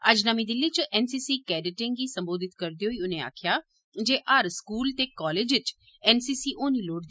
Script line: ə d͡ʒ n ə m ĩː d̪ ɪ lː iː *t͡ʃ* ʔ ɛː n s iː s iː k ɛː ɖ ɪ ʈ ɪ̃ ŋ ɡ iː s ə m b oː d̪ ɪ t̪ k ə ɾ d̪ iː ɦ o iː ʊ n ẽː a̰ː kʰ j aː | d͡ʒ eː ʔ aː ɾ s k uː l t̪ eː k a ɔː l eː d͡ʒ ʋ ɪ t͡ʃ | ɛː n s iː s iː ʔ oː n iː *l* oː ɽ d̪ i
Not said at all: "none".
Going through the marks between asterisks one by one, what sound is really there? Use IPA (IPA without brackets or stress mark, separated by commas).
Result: t͡ʃ, l